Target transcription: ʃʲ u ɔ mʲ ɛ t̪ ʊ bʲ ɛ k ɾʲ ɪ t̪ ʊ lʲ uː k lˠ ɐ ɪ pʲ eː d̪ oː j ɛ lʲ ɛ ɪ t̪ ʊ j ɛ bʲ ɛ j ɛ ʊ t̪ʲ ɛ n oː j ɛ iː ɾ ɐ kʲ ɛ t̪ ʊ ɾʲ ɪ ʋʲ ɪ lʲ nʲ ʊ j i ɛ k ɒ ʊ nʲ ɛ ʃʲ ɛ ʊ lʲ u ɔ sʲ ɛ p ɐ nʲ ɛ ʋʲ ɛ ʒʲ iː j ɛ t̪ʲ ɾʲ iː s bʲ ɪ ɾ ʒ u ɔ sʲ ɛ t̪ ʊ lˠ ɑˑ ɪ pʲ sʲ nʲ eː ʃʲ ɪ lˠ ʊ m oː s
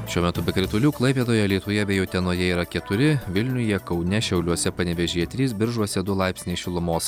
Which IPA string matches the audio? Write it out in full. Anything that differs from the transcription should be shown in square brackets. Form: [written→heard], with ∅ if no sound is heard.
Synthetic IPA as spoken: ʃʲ u ɔ mʲ ɛ t̪ ʊ bʲ ɛ k ɾʲ ɪ t̪ ʊ lʲ uː k lˠ ɐ ɪ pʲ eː d̪ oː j ɛ lʲ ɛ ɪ t̪ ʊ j ɛ bʲ ɛ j ɛ ʊ t̪ʲ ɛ n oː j ɛ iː ɾ ɐ kʲ ɛ t̪ ʊ ɾʲ ɪ ʋʲ ɪ lʲ nʲ ʊ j i ɛ k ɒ ʊ nʲ ɛ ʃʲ ɛ ʊ lʲ u ɔ sʲ ɛ p ɐ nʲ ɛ ʋʲ ɛ ʒʲ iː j ɛ t̪ʲ ɾʲ iː s bʲ ɪ ɾ ʒ u ɔ sʲ ɛ [t̪→d̪] ʊ lˠ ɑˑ ɪ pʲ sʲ nʲ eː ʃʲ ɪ lˠ ʊ m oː s